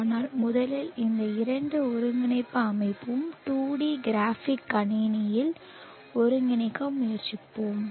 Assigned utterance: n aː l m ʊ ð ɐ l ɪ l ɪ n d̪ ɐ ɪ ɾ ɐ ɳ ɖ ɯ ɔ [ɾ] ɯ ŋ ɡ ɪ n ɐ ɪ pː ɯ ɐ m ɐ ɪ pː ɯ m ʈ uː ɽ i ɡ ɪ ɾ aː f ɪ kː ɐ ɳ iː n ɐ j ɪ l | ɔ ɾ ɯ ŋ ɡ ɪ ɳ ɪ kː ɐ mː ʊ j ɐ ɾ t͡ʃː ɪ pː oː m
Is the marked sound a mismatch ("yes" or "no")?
no